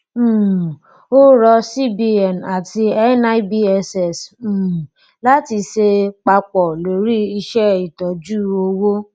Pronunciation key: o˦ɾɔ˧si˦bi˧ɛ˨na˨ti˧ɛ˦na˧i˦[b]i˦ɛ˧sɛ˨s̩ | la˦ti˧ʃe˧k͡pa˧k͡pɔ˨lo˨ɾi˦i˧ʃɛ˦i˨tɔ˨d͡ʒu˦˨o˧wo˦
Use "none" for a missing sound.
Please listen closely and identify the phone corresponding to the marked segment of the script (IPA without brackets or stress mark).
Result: b